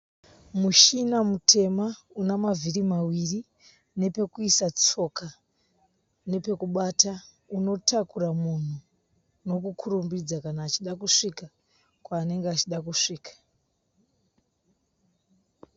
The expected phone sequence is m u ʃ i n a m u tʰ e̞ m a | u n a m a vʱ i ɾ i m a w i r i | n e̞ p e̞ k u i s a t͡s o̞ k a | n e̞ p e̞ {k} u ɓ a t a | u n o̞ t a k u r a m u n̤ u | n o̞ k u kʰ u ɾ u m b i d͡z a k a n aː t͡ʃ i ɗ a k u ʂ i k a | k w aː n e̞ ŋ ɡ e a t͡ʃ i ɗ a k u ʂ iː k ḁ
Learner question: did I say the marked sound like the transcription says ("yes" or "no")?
yes